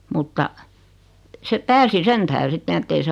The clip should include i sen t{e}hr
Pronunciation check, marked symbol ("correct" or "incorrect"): incorrect